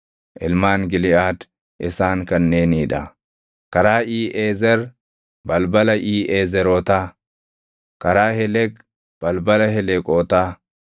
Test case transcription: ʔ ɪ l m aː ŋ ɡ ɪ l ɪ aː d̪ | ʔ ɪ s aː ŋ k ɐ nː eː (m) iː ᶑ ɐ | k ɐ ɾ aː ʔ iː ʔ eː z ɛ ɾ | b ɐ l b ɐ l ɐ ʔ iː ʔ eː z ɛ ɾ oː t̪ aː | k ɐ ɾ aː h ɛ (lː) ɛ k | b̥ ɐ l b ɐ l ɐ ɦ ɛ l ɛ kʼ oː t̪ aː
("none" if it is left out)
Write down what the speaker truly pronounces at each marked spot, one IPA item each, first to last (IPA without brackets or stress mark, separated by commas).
n, l